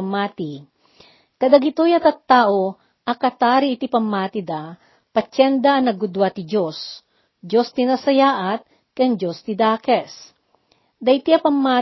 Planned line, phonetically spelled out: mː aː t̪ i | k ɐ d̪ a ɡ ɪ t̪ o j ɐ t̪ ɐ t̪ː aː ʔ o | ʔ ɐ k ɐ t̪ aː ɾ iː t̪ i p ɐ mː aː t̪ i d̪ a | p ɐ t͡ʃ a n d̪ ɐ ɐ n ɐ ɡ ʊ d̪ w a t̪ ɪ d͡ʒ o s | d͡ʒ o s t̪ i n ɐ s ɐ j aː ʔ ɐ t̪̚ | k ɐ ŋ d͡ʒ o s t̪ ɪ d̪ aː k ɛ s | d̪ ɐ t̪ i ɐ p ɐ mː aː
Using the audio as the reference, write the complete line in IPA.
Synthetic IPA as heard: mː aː t̪ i | k ɐ d̪ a ɡ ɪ t̪ o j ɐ t̪ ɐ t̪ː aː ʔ o | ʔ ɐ k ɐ t̪ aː ɾ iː t̪ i p ɐ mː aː t̪ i d̪ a | p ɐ t͡ʃ ɛ n d̪ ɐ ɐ n ɐ ɡ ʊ d̪ w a t̪ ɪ d͡ʒ o s | d͡ʒ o s t̪ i n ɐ s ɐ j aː ʔ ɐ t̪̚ | k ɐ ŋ d͡ʒ o s t̪ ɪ d̪ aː k ɛ s | d̪ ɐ t̪ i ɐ p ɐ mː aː